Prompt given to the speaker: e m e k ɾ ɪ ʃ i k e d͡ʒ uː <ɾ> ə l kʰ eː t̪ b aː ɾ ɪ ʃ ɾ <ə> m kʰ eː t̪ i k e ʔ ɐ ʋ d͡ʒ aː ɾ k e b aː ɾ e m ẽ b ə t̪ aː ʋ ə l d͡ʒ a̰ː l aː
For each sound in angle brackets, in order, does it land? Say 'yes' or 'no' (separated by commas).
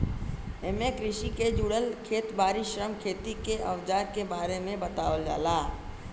no, yes